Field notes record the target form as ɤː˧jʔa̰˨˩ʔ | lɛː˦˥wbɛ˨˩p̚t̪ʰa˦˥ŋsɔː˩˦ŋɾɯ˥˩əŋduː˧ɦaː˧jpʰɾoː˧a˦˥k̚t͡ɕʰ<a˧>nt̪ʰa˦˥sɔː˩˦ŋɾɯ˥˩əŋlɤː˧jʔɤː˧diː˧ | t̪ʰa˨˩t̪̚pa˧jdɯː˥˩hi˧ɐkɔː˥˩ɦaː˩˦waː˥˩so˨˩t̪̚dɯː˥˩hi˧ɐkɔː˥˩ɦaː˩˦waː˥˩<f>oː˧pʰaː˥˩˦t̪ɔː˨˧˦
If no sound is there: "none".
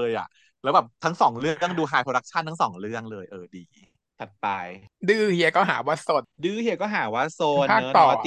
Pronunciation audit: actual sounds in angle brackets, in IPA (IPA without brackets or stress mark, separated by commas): a˥˩, s